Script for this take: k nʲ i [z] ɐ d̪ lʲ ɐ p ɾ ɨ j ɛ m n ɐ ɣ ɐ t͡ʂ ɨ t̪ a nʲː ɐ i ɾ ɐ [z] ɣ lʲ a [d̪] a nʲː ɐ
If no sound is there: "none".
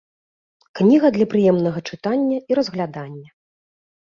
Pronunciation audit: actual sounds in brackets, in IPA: ɣ, z, d̪

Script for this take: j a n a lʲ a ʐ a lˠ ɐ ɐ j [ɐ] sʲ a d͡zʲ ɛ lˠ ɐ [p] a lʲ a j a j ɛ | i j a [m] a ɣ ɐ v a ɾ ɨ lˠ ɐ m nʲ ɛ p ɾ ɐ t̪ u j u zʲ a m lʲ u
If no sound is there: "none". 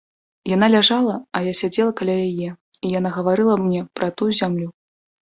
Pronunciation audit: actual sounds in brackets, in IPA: a, k, n

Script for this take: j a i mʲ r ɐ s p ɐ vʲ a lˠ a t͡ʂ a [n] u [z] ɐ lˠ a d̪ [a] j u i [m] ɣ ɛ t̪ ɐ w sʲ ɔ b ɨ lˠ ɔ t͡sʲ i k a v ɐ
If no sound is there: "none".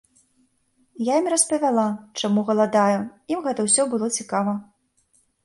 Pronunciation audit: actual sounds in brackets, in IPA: m, ɣ, a, m

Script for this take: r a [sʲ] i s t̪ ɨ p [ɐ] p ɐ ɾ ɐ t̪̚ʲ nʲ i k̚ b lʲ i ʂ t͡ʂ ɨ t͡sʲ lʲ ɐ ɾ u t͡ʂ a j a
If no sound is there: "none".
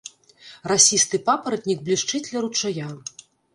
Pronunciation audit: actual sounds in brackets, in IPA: sʲ, a

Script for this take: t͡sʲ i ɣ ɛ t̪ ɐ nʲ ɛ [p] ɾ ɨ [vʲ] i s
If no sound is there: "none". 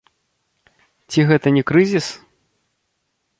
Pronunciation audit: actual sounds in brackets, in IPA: k, zʲ

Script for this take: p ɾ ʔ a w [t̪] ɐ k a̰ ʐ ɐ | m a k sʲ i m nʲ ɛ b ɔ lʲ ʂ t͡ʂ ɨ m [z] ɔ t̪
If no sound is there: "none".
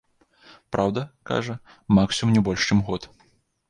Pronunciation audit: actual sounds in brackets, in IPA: d̪, ɣ

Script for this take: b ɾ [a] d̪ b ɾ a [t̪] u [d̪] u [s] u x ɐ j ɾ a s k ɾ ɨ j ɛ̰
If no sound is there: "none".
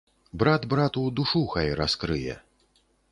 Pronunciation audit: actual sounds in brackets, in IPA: a, t̪, d̪, ʂ

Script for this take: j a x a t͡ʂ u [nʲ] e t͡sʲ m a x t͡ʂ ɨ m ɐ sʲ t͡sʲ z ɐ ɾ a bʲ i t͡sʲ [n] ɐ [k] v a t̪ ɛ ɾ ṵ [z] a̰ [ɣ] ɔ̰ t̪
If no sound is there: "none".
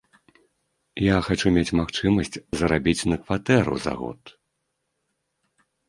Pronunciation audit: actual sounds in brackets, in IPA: mʲ, n, k, z, ɣ

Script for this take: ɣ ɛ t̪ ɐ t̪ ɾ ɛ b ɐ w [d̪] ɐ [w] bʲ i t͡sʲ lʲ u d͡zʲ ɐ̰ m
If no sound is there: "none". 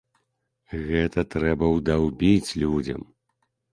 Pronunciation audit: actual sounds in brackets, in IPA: d̪, w

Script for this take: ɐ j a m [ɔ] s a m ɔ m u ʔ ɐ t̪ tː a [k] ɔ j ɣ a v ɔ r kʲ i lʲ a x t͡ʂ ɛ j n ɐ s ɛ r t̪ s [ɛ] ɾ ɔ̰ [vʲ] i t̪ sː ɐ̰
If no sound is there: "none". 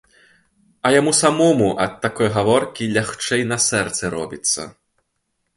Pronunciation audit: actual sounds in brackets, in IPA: u, k, ɛ, bʲ

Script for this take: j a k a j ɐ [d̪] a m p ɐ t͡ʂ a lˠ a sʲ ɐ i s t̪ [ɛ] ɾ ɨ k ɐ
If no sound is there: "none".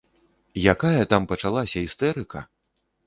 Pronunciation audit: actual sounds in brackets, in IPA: t̪, ɛ

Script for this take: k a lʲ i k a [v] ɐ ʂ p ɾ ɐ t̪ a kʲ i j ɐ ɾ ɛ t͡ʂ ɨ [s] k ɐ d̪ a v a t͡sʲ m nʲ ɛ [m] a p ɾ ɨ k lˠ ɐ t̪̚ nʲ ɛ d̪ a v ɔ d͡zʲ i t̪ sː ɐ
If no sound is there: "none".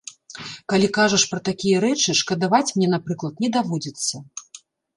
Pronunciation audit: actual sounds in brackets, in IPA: ʐ, ʂ, n

